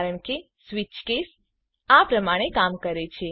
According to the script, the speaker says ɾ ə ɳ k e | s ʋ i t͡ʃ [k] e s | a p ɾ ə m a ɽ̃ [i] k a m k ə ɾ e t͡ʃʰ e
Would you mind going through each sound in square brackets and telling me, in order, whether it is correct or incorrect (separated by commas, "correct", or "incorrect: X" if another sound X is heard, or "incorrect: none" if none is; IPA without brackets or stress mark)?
correct, incorrect: e